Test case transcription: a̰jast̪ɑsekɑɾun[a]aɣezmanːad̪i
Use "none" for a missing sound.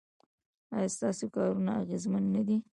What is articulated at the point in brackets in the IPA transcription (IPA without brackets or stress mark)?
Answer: a